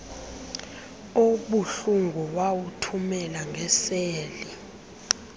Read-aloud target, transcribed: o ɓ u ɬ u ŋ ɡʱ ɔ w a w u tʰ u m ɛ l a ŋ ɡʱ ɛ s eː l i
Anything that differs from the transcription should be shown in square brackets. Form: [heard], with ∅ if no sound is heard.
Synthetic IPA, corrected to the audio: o ɓ u ɬ u ŋ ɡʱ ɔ w a w u tʰ u m ɛ l a ŋ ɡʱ ɛ s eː l i